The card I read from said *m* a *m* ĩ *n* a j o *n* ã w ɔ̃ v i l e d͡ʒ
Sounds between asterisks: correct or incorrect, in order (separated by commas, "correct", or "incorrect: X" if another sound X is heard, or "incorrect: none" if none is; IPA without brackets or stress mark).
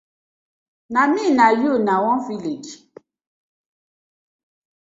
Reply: incorrect: n, correct, correct, correct